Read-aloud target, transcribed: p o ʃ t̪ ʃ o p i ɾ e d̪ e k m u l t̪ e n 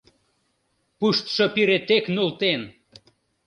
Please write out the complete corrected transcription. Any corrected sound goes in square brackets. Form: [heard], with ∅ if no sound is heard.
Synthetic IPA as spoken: p [u] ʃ t̪ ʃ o p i ɾ e [t̪] e k [n] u l t̪ e n

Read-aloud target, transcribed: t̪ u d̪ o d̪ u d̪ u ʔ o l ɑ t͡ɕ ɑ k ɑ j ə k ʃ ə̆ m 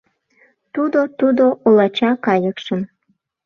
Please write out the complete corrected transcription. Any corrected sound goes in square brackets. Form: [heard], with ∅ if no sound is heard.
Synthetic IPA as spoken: t̪ u d̪ o [t̪] u d̪ [o] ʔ o l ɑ t͡ɕ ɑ k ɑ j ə k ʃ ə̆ m

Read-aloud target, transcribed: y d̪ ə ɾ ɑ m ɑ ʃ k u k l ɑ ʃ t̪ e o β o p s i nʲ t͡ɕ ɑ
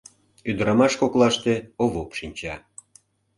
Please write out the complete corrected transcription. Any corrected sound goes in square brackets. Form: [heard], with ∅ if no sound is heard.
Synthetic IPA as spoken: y d̪ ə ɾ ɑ m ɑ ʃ k [o] k l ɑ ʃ t̪ e o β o p [ʃ] i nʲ t͡ɕ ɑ

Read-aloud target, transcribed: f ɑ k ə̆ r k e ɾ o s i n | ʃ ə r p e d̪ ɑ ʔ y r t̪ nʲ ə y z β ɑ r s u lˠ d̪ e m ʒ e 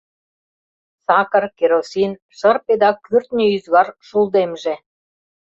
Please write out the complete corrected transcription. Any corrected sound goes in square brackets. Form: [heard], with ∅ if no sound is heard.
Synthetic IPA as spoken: [s] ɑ k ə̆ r k e ɾ o s i n | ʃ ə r p e d̪ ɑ [k] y r t̪ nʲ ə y z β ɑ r [ʃ] u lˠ d̪ e m ʒ e

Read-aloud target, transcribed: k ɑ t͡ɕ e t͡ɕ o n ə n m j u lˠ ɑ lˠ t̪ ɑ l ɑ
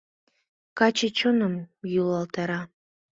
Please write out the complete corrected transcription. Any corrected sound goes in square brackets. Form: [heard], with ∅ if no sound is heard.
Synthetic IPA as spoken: k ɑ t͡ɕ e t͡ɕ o n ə [∅] m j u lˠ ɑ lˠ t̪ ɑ [ɾ] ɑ

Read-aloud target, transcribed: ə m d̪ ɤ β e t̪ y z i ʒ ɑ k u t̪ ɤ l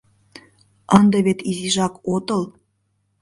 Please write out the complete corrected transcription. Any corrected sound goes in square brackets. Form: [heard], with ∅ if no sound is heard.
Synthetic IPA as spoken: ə [n] d̪ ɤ β e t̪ [i] z i ʒ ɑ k [o] t̪ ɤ l

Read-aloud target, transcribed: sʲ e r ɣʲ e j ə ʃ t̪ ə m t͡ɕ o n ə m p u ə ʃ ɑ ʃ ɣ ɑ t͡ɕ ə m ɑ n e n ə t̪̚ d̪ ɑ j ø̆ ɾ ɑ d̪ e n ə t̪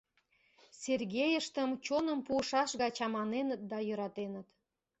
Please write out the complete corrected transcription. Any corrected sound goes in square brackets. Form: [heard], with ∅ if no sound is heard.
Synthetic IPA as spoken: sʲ e r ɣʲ e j ə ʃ t̪ ə m t͡ɕ o n ə m p u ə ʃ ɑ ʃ ɣ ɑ t͡ɕ [ɑ] m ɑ n e n ə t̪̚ d̪ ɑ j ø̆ ɾ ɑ [t̪] e n ə t̪

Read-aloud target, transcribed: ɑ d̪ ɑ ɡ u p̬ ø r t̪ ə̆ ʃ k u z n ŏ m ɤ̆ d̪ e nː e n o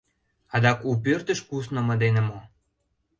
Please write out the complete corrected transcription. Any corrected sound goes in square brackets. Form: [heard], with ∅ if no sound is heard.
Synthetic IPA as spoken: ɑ d̪ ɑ [k] u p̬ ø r t̪ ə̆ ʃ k u [s] n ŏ m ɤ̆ d̪ e [n] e [m] o

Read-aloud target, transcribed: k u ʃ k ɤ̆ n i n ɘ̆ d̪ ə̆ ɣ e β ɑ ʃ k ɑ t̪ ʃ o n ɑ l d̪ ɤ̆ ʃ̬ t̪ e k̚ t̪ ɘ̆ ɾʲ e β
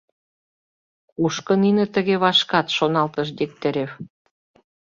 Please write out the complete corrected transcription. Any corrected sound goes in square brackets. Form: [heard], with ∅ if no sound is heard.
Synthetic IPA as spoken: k u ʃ k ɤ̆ n i n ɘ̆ [t̪] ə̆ ɣ e β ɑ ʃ k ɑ t̪ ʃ o n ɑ l [t̪] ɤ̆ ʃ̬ [d̪] e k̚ t̪ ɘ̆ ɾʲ e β

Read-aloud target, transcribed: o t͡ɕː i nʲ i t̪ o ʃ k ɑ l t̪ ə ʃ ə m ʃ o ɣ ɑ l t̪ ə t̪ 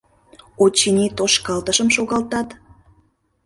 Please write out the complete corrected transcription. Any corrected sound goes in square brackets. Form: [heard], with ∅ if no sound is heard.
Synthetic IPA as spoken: o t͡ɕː i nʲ i t̪ o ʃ k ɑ l t̪ ə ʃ ə m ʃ o ɣ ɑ l t̪ [ɑ] t̪

